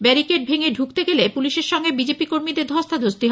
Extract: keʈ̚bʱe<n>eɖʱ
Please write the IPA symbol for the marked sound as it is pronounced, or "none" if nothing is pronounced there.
ŋ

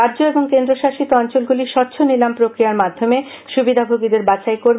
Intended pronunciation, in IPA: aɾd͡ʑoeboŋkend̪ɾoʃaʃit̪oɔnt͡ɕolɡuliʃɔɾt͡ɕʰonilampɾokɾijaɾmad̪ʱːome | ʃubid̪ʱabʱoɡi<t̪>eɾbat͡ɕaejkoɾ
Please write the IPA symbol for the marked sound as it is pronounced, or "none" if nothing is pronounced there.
d̪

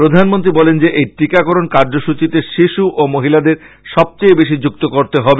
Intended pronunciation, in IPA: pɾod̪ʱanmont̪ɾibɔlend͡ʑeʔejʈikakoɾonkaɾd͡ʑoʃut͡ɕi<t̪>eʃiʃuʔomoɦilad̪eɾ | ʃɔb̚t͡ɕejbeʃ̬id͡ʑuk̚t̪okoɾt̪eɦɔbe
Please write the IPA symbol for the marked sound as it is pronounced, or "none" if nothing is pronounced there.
t̪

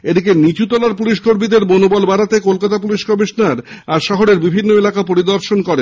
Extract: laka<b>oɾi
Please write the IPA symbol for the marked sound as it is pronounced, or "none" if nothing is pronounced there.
p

